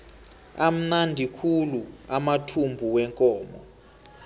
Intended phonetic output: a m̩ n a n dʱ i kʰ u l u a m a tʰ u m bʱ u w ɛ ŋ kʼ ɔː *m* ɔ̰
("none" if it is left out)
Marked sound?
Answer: m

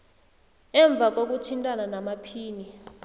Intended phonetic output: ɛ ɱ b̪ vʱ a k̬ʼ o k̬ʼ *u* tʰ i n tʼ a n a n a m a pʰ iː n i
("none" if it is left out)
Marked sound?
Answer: u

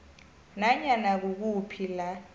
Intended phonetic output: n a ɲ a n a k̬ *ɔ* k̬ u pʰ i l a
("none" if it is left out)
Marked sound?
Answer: u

